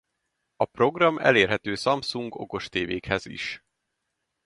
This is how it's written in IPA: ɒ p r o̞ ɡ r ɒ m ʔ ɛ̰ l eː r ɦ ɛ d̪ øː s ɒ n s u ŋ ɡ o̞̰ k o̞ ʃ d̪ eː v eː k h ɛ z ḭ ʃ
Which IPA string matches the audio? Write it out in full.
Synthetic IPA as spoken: ɒ p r o̞ ɡ r ɒ m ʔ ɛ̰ l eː r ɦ ɛ t̪ øː s ɒ m s u ŋ ɡ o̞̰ k o̞ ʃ t̪ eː v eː k h ɛ z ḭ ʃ